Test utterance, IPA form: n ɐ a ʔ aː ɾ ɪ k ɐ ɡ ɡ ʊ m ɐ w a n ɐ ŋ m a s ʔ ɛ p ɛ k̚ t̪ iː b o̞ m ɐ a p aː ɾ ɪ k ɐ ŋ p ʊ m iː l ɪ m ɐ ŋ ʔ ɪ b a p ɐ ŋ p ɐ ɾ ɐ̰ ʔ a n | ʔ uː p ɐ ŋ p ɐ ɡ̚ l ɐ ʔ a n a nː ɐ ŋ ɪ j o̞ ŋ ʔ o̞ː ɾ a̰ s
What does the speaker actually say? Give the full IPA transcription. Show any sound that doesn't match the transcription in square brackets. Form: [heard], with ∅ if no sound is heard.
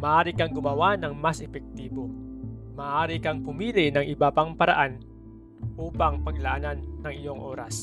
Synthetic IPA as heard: [m] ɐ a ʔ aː ɾ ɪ k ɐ [ŋ] ɡ ʊ m ɐ w a n ɐ ŋ m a s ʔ ɛ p ɛ k̚ t̪ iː b o̞ m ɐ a [ʔ] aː ɾ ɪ k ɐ ŋ p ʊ m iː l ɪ [n] ɐ ŋ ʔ ɪ b a p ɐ ŋ p ɐ ɾ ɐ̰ ʔ a n | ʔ uː p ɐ ŋ p ɐ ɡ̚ l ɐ ʔ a n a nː ɐ ŋ ɪ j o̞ ŋ ʔ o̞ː ɾ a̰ s